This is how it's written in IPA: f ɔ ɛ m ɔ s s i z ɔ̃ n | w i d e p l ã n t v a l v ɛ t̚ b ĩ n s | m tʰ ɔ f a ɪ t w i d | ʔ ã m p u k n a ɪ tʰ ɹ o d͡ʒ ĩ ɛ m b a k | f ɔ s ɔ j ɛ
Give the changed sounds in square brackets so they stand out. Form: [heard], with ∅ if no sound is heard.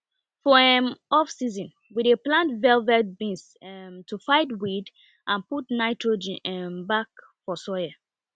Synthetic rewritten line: f ɔ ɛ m ɔ [f] s i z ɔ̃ n | w i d e p l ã n t v [ɛ] l v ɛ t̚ b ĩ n s | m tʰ [u] f a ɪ t w i d | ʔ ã [n] p u [t] n a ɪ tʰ ɹ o d͡ʒ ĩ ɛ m b a k | f ɔ s ɔ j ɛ